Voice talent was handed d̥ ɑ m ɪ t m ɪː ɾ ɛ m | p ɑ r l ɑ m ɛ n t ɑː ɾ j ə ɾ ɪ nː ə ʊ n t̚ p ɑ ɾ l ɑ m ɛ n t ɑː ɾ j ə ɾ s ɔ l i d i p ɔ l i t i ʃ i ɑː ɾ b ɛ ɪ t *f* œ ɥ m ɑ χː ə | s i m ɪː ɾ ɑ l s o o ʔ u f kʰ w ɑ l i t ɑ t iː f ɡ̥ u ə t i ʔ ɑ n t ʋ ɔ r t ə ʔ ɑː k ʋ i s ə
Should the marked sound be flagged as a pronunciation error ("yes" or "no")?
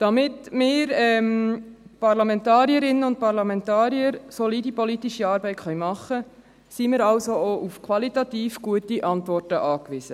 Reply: yes